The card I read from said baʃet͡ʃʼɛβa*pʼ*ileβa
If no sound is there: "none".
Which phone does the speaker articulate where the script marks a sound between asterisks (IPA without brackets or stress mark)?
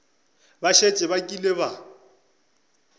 kʼ